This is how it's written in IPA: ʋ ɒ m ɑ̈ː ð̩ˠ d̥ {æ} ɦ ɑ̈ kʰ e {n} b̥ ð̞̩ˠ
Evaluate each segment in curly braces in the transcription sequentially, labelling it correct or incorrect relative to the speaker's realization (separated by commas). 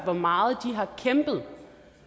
incorrect, incorrect